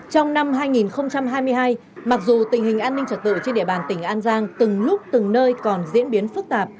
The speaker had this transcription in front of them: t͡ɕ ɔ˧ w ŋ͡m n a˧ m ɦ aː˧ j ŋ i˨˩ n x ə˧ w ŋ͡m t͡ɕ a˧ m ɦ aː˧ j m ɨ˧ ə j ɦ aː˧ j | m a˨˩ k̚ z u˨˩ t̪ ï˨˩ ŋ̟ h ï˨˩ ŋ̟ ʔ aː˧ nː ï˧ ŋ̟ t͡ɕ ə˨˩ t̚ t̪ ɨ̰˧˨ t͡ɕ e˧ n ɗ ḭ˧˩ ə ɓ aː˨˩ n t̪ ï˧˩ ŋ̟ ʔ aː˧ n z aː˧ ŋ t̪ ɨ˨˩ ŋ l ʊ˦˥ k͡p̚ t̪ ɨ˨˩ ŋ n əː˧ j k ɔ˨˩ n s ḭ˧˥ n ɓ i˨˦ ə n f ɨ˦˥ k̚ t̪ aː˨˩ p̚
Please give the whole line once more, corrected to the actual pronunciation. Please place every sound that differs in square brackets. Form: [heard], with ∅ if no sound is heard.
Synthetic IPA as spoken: t͡ɕ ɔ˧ w ŋ͡m n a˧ m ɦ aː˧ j ŋ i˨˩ n x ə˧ w ŋ͡m t͡ɕ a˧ m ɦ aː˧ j m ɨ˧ ə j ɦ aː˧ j | m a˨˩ k̚ z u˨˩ t̪ ï˨˩ ŋ̟ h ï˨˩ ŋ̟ ʔ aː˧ nː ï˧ ŋ̟ t͡ɕ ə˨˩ t̚ t̪ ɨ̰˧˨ t͡ɕ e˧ n ɗ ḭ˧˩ ə ɓ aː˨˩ n t̪ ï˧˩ ŋ̟ ʔ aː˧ n z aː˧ ŋ t̪ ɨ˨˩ ŋ l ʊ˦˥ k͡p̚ t̪ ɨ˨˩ ŋ n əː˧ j k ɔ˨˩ n [z] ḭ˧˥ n ɓ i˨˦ ə n f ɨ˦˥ k̚ t̪ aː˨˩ p̚